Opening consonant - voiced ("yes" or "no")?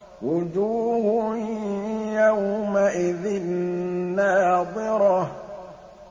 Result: yes